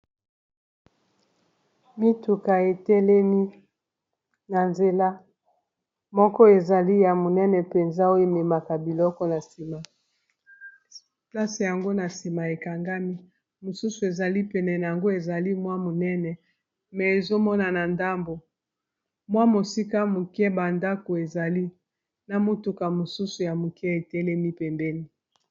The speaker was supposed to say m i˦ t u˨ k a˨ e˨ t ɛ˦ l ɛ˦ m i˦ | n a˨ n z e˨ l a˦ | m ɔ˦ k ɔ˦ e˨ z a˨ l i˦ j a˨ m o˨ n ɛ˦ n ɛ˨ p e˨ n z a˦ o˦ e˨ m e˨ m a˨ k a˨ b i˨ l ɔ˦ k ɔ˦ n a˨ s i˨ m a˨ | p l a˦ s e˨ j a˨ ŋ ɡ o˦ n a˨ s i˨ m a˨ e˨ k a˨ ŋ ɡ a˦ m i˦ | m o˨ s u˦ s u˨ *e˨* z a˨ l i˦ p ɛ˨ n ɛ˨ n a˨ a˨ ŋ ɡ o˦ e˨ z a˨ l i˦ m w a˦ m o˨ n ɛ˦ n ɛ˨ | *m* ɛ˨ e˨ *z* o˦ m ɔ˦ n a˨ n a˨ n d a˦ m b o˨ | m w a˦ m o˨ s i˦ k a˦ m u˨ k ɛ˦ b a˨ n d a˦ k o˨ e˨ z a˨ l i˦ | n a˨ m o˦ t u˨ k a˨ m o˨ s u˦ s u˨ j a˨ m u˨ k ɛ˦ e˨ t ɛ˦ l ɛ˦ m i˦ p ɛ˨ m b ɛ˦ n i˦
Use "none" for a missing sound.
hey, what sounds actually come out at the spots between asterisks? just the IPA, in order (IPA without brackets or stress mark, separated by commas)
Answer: e˨, m, z